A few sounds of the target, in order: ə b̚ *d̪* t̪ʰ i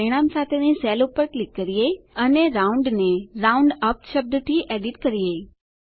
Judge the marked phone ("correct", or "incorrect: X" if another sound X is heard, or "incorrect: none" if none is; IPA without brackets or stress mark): correct